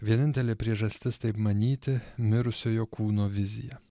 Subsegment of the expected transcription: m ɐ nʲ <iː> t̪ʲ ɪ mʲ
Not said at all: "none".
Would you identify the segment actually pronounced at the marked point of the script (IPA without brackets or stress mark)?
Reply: iː